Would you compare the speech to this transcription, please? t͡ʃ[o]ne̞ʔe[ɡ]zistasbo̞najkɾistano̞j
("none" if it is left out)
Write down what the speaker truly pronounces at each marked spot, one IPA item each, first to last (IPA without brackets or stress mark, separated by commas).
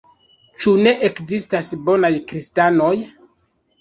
u, k